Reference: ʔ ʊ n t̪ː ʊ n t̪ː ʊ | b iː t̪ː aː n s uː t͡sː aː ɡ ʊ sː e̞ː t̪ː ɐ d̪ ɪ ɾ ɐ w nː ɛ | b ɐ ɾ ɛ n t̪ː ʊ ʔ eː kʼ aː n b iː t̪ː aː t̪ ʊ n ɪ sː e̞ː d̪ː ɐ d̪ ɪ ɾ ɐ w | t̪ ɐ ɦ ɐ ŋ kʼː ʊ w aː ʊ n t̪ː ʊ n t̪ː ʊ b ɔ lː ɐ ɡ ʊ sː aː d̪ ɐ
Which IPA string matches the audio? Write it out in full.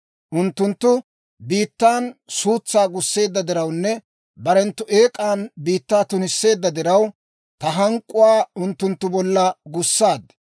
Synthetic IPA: ʔ ʊ n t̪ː ʊ n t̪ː ʊ | b iː t̪ː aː n s uː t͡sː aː ɡ ʊ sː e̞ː d̪ː ɐ d̪ ɪ ɾ ɐ w nː ɛ | b ɐ ɾ ɛ n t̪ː ʊ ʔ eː kʼ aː n b iː t̪ː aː t̪ ʊ n ɪ sː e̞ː d̪ː ɐ d̪ ɪ ɾ ɐ w | t̪ ɐ ɦ ɐ ŋ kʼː ʊ w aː ʊ n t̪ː ʊ n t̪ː ʊ b ɔ lː ɐ ɡ ʊ sː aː d̪ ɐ